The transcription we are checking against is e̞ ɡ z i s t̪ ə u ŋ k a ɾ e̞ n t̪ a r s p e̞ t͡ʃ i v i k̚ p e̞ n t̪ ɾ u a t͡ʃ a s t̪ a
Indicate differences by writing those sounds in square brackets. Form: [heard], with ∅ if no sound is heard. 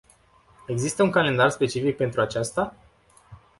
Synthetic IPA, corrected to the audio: e̞ ɡ z i s t̪ ə u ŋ k a [l] e̞ n [d̪] a r s p e̞ t͡ʃ i [f] i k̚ p e̞ n t̪ ɾ u a t͡ʃ a s t̪ a